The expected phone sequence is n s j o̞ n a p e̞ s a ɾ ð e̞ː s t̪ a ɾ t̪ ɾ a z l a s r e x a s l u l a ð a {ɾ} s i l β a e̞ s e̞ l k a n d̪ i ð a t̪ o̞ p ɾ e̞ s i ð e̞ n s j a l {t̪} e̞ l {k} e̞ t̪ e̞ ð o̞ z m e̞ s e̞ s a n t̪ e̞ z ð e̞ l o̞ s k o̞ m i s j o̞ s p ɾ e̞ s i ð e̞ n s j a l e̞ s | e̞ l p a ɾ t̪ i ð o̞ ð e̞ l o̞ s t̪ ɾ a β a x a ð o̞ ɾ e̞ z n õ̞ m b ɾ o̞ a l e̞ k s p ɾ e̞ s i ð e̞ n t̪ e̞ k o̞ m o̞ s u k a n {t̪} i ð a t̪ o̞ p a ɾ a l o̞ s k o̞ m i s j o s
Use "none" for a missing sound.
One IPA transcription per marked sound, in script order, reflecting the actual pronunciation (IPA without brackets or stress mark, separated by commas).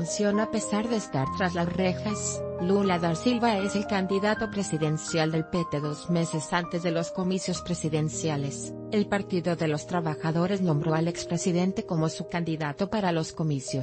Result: ɾ, d̪, p, d̪